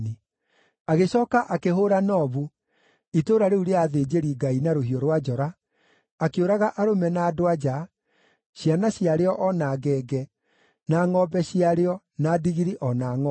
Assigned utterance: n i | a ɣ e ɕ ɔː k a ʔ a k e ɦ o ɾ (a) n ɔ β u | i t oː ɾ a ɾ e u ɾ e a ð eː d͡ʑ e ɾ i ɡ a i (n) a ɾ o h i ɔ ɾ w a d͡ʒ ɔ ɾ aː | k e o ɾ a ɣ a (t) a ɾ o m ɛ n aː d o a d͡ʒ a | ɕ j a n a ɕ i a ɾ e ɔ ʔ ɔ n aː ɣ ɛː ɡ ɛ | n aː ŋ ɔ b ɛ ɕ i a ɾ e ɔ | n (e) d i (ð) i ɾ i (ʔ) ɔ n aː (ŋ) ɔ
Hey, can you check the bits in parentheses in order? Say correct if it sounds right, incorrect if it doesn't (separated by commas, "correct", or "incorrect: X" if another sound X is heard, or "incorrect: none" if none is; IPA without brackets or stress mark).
correct, correct, incorrect: ʔ, incorrect: a, incorrect: ɣ, correct, correct